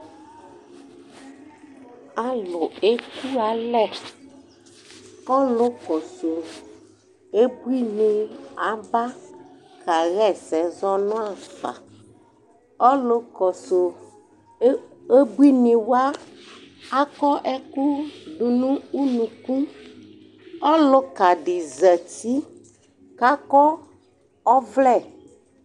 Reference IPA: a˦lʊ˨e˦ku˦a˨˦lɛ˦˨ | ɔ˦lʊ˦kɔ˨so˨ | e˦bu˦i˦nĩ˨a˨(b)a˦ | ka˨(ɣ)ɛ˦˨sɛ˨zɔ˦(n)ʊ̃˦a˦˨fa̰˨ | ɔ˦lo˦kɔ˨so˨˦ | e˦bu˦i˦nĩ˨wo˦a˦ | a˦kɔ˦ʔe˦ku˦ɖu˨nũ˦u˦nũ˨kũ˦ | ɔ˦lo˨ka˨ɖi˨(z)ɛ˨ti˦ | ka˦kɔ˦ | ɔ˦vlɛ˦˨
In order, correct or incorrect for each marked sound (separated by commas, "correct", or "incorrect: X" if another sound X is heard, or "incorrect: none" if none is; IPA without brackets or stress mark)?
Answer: correct, correct, correct, correct